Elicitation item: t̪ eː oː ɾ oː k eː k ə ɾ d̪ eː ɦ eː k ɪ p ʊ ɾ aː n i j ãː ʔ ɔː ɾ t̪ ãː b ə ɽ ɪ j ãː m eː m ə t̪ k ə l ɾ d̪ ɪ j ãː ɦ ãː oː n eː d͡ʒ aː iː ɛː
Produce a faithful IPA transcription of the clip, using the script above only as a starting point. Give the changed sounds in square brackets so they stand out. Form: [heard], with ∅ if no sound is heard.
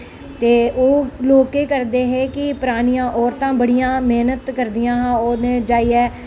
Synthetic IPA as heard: t̪ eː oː [l] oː k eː k ə ɾ d̪ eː ɦ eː k ɪ p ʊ ɾ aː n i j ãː ʔ ɔː ɾ t̪ ãː b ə ɽ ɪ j ãː m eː [n] ə t̪ k ə [∅] ɾ d̪ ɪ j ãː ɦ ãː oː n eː d͡ʒ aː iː ɛː